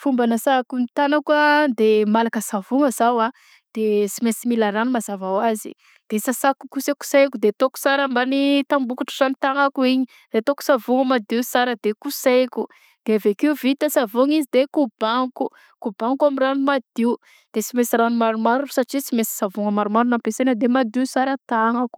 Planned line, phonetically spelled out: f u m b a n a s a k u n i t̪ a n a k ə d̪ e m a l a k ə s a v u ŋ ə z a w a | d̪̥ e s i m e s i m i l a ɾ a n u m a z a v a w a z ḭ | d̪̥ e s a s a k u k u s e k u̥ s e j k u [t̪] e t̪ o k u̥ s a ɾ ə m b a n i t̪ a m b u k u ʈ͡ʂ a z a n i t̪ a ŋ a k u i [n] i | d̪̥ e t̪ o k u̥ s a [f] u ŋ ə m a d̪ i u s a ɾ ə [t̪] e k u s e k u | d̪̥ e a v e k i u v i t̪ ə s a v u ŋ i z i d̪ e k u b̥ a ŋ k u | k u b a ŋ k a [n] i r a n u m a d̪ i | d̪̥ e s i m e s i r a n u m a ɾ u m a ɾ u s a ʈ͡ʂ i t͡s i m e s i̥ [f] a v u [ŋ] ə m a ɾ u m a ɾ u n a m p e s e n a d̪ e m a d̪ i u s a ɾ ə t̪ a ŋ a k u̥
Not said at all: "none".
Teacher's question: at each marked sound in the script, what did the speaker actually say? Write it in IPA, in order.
d̪, ɲ, v, d̪, m, s, ŋ

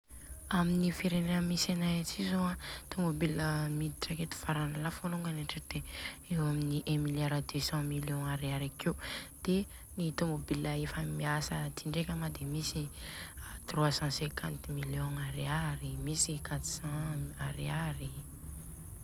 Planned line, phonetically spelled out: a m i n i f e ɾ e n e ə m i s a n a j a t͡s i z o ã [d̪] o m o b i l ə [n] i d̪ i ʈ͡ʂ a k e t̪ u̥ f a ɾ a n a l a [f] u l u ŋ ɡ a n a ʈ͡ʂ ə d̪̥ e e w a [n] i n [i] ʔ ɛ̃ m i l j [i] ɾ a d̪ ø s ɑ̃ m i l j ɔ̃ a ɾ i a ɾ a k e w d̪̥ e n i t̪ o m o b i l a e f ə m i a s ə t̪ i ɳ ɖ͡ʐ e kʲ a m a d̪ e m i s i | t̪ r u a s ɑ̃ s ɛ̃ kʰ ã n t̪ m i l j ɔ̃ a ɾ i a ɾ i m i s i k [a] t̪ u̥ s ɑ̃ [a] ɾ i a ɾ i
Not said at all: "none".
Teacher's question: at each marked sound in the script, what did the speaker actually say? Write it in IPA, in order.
t̪, m, f, m, i, a, a, a

